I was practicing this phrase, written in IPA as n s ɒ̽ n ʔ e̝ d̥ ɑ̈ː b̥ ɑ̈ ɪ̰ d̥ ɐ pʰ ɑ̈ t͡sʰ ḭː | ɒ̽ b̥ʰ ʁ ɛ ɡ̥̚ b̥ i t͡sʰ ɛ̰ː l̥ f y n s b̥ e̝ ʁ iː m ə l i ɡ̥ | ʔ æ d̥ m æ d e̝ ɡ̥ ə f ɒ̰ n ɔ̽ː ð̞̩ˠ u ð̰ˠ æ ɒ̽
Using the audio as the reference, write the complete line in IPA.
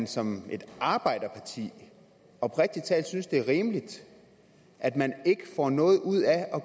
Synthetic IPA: n s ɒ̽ m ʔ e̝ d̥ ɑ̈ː b̥ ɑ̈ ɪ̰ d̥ ɐ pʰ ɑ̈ t͡sʰ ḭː | ɒ̽ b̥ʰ ʁ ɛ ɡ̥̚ d̥ i t͡sʰ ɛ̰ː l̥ s y n s d̥ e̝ ʁ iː m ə l i d̥ | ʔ æ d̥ m æ n e̝ ɡ̥ ə f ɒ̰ n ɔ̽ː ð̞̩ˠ u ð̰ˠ æ ɒ̽

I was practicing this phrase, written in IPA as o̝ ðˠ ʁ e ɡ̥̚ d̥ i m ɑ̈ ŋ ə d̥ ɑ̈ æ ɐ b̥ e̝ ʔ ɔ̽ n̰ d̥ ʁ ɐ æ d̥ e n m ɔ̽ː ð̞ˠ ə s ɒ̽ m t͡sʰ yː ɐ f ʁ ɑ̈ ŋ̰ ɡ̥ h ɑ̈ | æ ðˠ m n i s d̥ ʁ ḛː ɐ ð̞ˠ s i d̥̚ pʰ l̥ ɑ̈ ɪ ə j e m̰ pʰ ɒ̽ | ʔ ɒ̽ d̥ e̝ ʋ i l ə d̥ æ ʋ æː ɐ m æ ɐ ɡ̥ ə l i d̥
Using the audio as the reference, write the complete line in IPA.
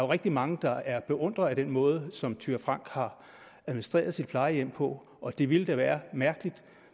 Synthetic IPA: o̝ ʁ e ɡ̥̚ d̥ i m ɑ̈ ŋ ə d̥ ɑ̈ æ ɐ b̥ e̝ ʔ ɔ̽ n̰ d̥ ʁ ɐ æ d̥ e n m ɔ̽ː ð̞ˠ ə s ɒ̽ m t͡sʰ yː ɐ f ʁ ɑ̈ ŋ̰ ɡ̥ h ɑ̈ | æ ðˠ m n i s d̥ ʁ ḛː ɐ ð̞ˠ s i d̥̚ pʰ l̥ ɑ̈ ɪ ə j e m̰ pʰ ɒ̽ | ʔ ɒ̽ d̥ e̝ ʋ i l ə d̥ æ ʋ æː ɐ m æ ɐ ɡ̥ ə l i d̥

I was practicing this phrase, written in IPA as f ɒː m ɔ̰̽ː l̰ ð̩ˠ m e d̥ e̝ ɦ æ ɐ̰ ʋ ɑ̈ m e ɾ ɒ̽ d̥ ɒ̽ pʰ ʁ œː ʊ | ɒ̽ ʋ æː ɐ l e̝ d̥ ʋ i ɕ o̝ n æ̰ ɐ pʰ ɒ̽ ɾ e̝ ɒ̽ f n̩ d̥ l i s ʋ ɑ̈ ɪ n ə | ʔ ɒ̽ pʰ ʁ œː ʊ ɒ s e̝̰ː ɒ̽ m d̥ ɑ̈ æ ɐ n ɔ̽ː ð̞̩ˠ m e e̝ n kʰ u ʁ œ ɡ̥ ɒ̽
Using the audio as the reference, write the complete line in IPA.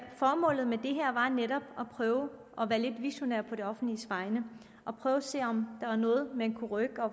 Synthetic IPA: f ɒː m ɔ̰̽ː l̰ ð̩ˠ m e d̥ e̝ ɦ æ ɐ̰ ʋ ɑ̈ n e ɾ ɒ̽ b̥ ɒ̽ pʰ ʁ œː ʊ | ɒ̽ ʋ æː ɐ l e̝ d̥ ʋ i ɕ o̝ n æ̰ ɐ pʰ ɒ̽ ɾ e̝ ɒ̽ f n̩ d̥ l i s ʋ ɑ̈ ɪ n ə | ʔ ɒ̽ pʰ ʁ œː ʊ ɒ s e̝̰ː ɒ̽ m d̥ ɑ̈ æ ɐ n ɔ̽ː ð̞̩ˠ m e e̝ n kʰ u ʁ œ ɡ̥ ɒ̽

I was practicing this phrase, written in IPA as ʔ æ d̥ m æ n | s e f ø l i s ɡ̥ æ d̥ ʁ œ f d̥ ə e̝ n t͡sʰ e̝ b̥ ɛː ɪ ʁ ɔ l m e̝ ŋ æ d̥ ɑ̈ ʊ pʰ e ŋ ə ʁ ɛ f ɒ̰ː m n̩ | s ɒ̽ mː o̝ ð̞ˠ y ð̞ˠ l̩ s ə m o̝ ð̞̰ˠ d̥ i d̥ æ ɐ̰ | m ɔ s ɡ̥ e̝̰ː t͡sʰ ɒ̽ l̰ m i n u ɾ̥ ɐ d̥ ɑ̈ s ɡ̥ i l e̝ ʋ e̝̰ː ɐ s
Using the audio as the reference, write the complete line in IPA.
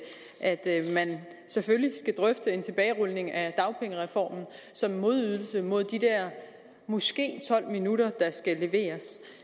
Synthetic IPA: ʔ æ d̥ m æ n | s e f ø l i s ɡ̥ æ d̥ ʁ œ f d̥ ə e̝ n t͡sʰ e̝ b̥ ɛː ɪ ʁ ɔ l n e̝ ŋ æ d̥ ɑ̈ ʊ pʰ e ŋ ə ʁ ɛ f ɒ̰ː m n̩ | s ɒ̽ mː o̝ ð̞ˠ y ð̞ˠ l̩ s ə m o̝ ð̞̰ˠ d̥ i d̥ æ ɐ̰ | m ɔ s ɡ̥ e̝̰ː t͡sʰ ɒ̽ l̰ m i n u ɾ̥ ɐ d̥ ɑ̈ s ɡ̥ æ l e̝ ʋ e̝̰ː ɐ s

